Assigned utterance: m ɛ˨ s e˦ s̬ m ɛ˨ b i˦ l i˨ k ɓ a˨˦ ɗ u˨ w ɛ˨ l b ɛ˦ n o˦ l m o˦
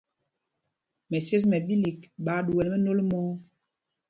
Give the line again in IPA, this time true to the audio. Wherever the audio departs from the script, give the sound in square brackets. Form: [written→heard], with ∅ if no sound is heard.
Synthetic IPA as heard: m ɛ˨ s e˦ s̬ m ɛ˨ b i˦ l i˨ k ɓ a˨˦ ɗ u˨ w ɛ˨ l [b→m] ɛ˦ n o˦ l m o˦

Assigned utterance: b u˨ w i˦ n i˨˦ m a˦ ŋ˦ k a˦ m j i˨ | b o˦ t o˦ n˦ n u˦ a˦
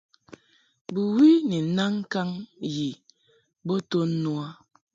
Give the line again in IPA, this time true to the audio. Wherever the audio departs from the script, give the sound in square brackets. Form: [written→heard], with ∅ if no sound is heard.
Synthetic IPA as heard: b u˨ w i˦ n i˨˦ [m→n] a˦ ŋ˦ k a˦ [m→ŋ] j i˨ | b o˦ t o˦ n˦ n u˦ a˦

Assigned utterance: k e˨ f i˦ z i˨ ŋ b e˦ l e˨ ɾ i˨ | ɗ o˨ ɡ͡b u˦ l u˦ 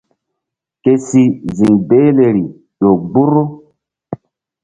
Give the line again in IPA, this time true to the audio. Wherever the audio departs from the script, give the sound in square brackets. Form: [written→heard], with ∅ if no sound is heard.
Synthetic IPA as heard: k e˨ [f→s] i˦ z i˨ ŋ b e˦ l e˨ ɾ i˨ | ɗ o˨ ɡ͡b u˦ [l→ɾ] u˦

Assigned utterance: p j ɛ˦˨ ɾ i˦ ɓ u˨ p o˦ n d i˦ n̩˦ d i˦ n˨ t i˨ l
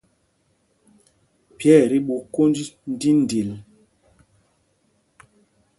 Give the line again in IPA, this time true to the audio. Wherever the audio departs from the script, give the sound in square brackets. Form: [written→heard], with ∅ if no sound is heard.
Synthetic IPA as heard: p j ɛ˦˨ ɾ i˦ ɓ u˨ [p→k] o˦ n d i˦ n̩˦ d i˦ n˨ [t→d] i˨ l

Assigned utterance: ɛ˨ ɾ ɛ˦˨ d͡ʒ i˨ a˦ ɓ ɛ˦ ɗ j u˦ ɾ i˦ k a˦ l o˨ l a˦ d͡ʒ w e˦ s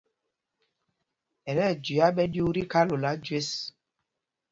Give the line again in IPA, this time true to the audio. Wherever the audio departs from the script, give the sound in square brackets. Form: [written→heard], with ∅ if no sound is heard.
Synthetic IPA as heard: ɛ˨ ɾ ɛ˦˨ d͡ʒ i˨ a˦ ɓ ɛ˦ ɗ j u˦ ɾ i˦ k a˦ l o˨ l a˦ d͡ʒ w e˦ s

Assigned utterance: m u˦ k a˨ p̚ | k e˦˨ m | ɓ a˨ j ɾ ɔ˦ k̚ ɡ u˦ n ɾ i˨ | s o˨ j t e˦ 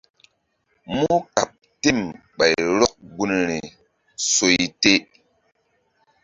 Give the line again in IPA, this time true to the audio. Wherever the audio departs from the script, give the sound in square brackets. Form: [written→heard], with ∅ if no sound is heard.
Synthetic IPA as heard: m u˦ k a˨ p̚ | [k→t] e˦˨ m | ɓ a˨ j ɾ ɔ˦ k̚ ɡ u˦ n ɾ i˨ | s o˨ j t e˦

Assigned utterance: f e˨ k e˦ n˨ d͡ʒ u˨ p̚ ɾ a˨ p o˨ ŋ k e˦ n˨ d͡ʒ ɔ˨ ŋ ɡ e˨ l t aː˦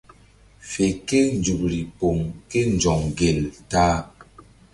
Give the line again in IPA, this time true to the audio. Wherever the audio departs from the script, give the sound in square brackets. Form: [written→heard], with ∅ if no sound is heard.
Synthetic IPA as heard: f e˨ k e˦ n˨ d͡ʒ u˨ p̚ ɾ [a˨→i˨] p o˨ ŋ k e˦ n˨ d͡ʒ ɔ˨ ŋ ɡ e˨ l t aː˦

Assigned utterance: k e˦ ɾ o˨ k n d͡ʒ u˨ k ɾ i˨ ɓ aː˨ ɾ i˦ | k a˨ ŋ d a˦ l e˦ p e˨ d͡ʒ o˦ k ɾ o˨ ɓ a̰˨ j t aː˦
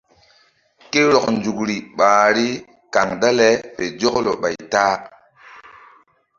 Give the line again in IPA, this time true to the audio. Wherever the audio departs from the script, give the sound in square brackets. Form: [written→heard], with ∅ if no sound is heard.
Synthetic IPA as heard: k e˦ ɾ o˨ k n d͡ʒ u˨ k ɾ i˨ ɓ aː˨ ɾ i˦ | k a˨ ŋ d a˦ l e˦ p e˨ d͡ʒ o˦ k [ɾ→l] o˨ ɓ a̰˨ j t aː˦

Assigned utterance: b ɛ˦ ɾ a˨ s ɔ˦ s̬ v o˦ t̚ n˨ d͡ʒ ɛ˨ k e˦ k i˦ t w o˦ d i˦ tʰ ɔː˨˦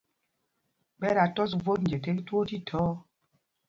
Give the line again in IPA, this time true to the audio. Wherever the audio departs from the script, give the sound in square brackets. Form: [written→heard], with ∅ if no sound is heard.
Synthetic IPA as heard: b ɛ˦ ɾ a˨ [s→t] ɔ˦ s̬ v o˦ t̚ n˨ d͡ʒ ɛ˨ [k→t] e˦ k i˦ t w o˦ [d→t] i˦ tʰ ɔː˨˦

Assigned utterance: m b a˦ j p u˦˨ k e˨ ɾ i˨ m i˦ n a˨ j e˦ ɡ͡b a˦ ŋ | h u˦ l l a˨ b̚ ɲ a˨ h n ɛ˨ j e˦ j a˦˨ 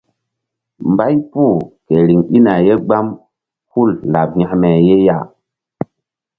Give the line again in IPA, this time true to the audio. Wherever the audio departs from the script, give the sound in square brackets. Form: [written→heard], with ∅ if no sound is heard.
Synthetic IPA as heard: m b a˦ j p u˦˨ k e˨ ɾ i˨ [m→ŋ] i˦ n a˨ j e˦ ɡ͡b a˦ [ŋ→m] | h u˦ l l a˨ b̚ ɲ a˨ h [n→m] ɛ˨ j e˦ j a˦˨

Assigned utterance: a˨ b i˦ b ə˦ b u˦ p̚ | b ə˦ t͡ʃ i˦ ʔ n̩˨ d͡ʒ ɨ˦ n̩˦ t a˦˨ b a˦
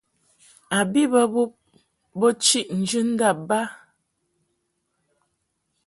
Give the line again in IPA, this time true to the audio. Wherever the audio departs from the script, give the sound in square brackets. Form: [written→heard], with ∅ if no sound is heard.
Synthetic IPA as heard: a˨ b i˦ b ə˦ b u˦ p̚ | b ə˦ t͡ʃ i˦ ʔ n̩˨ d͡ʒ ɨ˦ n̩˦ [t→d] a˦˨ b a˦

